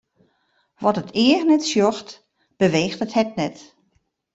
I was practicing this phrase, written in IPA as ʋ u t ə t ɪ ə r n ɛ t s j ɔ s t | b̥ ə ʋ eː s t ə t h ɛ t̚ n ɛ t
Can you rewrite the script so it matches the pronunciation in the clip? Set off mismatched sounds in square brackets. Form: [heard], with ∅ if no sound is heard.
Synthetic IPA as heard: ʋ [ɔ] t ə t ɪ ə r n ɛ t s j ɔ [x] t | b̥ ə ʋ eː [x] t ə t h ɛ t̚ n ɛ t